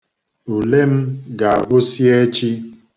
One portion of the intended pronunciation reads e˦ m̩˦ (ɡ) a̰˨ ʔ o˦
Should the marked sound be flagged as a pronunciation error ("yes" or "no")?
no